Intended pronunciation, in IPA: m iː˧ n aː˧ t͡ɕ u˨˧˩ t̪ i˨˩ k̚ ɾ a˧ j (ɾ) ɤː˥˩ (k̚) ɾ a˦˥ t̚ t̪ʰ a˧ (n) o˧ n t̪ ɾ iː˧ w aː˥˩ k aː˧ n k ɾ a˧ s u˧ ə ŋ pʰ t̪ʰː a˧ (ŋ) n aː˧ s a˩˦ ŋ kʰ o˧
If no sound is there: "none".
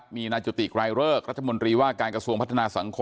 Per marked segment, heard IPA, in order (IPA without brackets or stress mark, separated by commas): ɾ, k̚, m, none